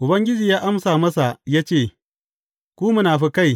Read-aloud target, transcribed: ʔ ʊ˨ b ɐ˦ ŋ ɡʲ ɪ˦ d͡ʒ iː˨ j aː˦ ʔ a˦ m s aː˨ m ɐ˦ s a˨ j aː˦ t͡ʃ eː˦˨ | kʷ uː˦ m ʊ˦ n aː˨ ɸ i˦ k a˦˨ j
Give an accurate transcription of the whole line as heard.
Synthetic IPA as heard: ʔ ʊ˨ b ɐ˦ ŋ ɡʲ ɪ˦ d͡ʒ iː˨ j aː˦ ʔ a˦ m s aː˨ m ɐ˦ s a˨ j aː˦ t͡ʃ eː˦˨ | kʷ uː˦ m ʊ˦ n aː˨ ɸ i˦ k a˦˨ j